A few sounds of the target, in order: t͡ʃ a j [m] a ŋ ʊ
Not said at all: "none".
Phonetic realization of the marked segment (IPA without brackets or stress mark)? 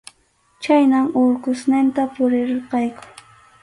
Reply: n